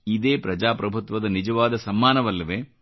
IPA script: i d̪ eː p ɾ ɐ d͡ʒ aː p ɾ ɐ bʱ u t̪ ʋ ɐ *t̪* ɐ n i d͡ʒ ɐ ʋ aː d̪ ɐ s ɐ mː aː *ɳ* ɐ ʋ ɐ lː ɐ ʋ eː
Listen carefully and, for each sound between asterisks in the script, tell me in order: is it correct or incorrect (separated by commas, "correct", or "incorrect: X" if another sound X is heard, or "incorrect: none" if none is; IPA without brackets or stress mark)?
incorrect: d̪, incorrect: n